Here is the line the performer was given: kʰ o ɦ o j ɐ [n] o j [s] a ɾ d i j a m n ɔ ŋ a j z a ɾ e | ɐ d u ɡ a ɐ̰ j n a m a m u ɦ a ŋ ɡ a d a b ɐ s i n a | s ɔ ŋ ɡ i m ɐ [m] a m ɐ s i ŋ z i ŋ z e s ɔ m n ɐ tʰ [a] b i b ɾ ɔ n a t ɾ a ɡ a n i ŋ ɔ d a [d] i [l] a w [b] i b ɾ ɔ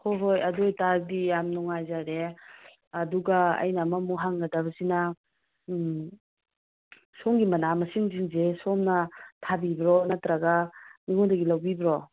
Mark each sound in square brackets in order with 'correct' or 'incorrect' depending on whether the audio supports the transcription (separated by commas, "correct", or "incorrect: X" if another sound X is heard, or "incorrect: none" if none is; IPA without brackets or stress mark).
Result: incorrect: d, incorrect: t, incorrect: n, correct, incorrect: ɡ, correct, correct